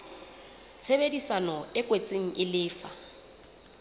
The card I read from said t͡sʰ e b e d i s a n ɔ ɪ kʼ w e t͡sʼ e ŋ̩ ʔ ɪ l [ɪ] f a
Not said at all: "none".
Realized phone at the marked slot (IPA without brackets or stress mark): ɪː